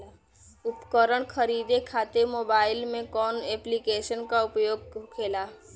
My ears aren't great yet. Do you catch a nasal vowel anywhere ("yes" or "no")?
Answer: yes